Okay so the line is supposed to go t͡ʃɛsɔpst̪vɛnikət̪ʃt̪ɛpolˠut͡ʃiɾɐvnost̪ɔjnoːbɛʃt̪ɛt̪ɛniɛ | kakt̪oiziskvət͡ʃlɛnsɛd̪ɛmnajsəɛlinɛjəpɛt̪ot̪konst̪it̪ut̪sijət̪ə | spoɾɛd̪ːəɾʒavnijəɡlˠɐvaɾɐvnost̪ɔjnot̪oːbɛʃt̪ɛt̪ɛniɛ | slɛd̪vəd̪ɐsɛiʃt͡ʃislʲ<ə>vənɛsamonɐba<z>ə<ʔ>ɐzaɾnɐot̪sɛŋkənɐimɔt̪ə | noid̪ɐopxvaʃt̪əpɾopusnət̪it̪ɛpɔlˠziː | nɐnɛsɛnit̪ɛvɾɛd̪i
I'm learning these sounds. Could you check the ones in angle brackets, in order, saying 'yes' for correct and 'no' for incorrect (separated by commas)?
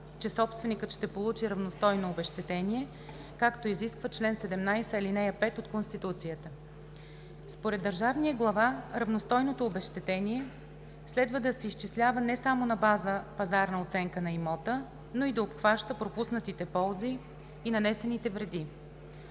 no, yes, no